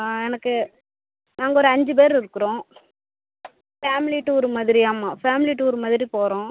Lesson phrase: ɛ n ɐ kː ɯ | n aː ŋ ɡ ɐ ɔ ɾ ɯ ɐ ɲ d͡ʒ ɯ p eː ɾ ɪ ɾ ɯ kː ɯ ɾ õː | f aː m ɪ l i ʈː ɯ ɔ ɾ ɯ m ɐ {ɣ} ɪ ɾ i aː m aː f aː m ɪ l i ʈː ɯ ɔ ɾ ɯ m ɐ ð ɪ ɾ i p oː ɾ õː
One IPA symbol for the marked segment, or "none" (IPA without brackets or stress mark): ð